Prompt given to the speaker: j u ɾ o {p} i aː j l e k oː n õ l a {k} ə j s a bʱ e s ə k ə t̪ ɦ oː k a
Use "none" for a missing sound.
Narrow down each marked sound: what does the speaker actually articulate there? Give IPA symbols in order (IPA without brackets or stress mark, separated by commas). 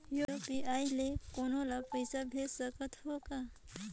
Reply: p, p